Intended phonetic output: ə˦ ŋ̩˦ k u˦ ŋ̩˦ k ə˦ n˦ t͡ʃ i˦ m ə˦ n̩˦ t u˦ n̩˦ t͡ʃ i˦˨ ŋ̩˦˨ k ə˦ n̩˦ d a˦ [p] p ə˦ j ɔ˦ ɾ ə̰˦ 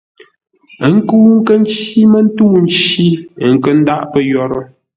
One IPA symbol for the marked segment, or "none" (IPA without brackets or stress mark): ʔ